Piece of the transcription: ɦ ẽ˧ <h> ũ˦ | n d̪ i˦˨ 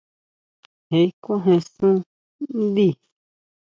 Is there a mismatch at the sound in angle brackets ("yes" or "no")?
yes